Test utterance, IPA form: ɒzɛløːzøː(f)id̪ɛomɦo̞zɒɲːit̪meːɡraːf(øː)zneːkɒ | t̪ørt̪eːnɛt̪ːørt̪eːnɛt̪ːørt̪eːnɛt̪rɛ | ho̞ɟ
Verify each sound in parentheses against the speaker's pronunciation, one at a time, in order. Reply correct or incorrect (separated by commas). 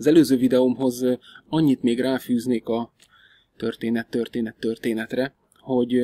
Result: incorrect, incorrect